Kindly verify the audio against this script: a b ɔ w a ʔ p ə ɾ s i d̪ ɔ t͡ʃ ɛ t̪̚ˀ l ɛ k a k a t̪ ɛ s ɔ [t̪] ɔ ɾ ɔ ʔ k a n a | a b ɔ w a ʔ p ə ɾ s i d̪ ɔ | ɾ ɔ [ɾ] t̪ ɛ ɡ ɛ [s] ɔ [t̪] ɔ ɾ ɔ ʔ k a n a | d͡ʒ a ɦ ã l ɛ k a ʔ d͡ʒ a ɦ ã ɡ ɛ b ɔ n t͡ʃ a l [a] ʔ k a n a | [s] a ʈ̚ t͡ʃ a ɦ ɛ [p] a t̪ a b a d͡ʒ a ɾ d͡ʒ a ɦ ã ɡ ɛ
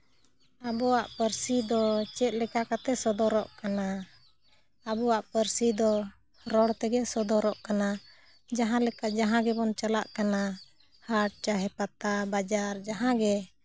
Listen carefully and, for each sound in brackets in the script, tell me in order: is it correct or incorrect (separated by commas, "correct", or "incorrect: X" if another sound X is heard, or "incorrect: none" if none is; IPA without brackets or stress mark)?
incorrect: d̪, incorrect: ɽ, correct, incorrect: d̪, correct, incorrect: h, correct